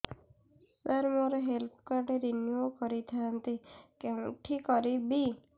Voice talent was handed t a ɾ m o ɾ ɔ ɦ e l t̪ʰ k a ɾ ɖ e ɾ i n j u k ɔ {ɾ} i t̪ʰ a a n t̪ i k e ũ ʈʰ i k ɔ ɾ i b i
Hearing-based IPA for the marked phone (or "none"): ɾ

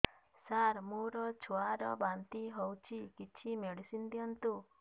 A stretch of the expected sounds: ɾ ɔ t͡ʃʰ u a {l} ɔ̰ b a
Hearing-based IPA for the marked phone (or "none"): ɾ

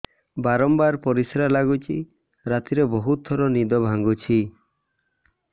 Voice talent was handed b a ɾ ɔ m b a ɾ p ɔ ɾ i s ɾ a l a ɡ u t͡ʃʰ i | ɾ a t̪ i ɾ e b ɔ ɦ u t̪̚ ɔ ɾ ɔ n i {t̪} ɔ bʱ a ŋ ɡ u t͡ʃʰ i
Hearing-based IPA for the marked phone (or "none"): d̪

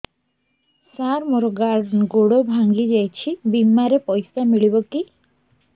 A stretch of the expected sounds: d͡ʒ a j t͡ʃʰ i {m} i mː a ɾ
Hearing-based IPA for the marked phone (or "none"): b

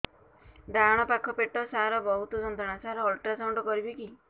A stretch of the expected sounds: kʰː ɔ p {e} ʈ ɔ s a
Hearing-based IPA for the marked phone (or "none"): e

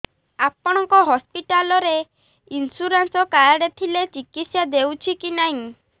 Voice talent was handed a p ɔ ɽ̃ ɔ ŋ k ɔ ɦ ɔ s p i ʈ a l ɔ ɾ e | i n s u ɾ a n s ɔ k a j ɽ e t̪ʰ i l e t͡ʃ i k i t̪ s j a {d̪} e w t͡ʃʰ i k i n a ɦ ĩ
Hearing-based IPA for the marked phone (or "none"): d̪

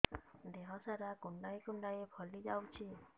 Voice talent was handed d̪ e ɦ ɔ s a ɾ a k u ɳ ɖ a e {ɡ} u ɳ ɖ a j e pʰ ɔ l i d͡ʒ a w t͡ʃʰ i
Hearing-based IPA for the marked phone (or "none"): k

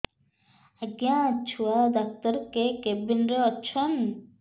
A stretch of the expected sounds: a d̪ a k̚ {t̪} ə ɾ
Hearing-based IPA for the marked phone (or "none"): t̪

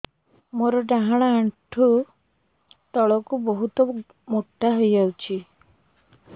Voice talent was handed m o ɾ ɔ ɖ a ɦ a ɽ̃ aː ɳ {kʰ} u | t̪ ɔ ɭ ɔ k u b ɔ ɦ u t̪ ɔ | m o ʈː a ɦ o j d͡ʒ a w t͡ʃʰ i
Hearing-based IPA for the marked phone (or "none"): ʈʰ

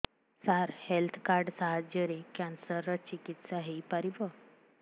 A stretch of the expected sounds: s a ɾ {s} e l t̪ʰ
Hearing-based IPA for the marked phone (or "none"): h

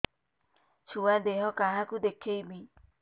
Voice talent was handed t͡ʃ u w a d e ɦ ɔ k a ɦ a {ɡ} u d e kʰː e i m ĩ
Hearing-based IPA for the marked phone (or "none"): k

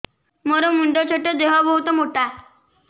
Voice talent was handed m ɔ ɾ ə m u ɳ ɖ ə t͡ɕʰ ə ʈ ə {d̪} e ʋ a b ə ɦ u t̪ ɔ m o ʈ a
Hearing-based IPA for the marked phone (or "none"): d̪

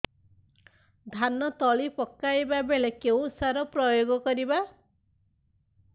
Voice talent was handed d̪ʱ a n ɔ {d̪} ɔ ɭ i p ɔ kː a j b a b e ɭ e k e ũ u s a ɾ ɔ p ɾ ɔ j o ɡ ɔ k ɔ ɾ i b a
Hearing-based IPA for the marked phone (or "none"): t̪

